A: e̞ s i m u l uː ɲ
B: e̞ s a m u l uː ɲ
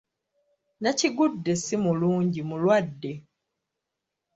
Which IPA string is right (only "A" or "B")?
A